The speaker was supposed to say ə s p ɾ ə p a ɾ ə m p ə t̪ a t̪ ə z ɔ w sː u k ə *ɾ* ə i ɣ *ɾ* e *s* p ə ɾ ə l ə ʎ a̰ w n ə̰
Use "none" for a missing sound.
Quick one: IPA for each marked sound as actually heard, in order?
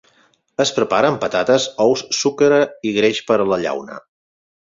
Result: ɾ, ɾ, ʃ

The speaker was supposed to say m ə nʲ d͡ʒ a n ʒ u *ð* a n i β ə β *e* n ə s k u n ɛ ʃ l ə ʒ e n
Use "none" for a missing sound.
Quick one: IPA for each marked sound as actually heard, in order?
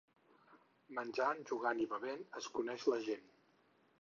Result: ɣ, e

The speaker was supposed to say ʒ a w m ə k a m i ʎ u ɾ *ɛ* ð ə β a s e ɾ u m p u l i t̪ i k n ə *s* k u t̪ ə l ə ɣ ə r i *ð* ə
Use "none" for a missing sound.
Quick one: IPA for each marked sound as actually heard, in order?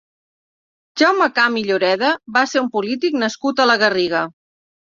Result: ɛ, s, ɣ

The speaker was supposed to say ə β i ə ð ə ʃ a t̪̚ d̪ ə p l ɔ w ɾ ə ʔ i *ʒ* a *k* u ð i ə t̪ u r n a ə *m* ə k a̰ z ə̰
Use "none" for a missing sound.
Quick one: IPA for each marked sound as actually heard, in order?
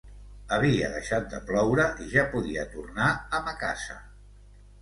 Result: ʒ, p, m

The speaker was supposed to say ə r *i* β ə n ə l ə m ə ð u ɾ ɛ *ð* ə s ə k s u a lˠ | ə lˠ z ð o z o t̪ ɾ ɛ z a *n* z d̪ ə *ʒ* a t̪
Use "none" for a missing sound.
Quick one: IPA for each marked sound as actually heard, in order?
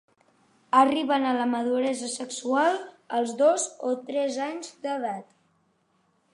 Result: i, z, ɲ, ð

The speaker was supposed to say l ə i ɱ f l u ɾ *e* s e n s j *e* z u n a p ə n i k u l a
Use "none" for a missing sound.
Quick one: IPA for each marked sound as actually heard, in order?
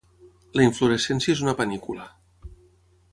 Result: e, e

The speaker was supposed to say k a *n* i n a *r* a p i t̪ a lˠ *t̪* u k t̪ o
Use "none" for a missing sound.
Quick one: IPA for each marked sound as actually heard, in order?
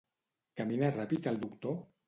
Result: m, r, d̪

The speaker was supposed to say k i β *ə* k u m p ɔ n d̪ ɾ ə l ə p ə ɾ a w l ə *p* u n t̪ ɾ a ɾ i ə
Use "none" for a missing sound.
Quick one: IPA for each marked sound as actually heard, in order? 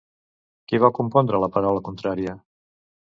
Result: a, k

